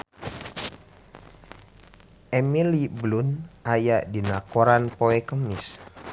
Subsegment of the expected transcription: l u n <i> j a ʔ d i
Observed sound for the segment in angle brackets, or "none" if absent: a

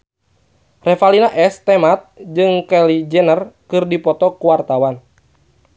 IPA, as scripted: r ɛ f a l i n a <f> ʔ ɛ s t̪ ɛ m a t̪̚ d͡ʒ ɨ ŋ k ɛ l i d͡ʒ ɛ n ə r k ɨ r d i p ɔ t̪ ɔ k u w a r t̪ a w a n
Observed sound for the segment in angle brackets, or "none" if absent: none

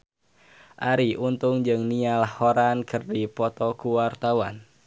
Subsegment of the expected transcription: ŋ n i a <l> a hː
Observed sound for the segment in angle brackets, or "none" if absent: l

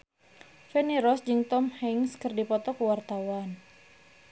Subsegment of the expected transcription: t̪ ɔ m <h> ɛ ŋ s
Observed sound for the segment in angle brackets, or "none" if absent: h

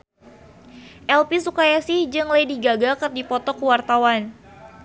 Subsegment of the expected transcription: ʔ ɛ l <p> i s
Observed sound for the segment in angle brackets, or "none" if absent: p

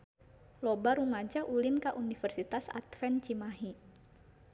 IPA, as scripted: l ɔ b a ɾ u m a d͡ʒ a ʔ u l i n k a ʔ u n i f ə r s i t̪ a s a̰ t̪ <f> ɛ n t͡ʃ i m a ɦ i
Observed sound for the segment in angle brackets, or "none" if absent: f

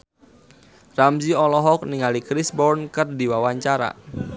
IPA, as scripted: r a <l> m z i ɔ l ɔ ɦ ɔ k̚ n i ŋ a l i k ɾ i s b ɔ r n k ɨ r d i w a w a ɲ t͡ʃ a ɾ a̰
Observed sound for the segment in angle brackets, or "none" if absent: none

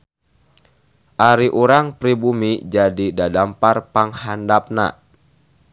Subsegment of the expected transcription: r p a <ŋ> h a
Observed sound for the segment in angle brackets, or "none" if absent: ŋ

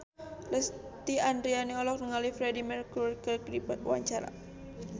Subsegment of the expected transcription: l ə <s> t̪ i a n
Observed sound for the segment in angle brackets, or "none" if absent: s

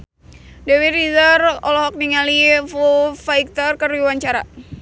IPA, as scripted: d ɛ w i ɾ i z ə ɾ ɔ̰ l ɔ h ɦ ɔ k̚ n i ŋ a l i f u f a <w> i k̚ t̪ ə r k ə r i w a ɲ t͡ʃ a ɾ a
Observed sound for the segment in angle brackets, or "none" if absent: none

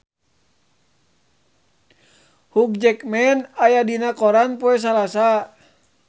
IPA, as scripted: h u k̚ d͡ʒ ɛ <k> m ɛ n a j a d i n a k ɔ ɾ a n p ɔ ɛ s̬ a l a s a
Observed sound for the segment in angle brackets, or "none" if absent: k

